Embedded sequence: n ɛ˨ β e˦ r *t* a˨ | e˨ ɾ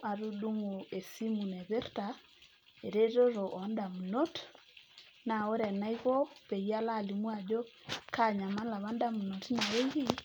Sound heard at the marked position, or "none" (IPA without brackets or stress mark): t